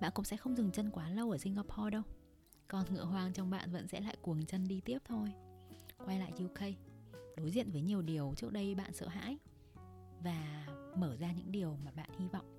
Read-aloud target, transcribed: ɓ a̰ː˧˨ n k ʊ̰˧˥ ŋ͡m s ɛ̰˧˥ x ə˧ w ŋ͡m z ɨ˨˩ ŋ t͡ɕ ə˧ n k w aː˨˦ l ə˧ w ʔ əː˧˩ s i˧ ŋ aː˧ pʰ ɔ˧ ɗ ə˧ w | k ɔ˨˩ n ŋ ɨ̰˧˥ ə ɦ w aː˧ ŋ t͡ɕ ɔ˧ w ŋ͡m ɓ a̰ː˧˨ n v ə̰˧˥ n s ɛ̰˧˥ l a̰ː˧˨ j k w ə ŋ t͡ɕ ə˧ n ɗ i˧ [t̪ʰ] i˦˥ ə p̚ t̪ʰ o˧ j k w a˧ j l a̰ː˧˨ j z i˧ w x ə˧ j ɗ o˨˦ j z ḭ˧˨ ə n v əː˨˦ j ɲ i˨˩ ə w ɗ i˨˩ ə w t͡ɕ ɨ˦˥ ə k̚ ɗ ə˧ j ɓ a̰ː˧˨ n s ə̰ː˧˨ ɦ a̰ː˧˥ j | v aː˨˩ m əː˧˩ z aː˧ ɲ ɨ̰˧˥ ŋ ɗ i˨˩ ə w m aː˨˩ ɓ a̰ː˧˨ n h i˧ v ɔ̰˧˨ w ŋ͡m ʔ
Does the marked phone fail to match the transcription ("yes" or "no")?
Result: yes